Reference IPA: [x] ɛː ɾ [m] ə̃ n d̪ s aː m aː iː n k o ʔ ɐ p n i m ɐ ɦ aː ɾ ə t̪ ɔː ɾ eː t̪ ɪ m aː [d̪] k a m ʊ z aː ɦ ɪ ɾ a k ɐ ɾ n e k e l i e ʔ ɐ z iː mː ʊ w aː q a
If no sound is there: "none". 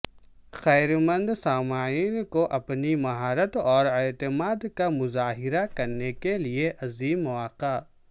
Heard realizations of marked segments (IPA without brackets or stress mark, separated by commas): x, m, d̪